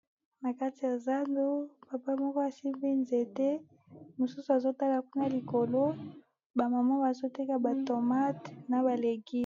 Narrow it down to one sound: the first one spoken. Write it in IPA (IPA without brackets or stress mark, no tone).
n